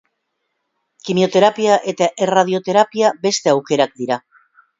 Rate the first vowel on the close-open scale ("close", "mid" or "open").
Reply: close